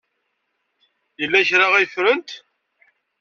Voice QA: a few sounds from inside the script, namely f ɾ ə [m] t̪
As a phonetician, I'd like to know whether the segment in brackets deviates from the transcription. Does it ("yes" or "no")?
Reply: yes